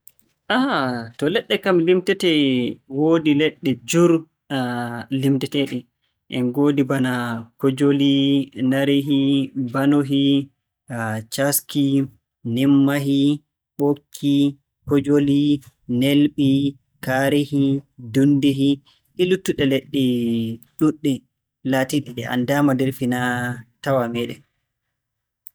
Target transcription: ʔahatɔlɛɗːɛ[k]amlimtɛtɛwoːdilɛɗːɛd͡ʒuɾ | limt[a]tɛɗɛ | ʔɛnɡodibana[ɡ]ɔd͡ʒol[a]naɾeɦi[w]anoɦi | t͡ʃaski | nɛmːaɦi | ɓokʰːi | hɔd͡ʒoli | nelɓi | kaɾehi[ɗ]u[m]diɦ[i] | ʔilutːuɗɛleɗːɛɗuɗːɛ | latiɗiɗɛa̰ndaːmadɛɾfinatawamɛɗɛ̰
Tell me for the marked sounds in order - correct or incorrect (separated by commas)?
correct, incorrect, incorrect, incorrect, incorrect, incorrect, incorrect, correct